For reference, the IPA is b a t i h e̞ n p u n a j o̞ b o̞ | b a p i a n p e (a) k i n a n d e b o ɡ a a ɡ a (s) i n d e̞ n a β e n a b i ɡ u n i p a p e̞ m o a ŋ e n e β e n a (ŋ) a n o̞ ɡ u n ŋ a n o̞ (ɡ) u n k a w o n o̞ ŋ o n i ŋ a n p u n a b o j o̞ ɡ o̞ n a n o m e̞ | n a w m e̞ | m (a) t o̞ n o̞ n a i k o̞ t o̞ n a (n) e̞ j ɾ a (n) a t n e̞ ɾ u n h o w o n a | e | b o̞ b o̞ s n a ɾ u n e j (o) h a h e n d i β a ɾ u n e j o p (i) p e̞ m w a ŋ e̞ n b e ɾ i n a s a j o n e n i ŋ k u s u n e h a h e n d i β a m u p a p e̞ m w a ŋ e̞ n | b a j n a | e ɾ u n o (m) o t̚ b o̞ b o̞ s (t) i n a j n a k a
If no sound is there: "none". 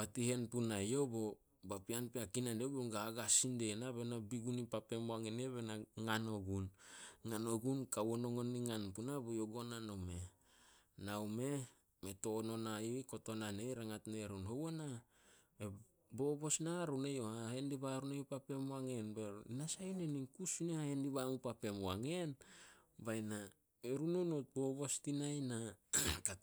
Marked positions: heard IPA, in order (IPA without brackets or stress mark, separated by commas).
a, s, ŋ, ɡ, e, n, ŋ, o, a, n, t